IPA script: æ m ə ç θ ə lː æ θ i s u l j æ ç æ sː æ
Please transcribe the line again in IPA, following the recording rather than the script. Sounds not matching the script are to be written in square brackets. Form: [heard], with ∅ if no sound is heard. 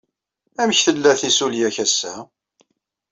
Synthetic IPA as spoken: æ m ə ç θ ə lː æ θ i s u l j æ ç æ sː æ